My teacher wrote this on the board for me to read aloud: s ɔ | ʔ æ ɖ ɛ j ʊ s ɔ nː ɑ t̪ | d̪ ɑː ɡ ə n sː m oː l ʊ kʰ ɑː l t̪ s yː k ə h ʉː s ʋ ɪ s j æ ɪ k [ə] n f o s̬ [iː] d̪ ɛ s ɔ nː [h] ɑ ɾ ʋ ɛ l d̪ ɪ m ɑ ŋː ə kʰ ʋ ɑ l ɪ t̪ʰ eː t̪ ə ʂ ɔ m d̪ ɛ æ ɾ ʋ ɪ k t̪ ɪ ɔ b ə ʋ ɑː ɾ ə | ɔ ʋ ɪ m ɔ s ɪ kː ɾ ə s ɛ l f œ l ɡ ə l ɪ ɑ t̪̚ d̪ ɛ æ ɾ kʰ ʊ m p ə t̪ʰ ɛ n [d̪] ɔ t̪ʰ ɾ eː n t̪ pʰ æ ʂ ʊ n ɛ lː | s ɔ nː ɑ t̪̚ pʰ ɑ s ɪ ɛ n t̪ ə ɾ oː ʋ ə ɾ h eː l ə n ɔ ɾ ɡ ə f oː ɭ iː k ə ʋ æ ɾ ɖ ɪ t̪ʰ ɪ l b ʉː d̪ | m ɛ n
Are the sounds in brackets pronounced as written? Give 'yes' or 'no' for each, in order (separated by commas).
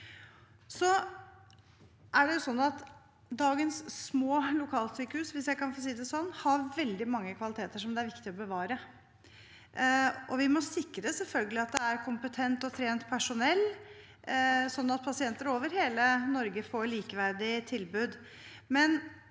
no, yes, yes, no